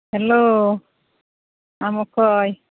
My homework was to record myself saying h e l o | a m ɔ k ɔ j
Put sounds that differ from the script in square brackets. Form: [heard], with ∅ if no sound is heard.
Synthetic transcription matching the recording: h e l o | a m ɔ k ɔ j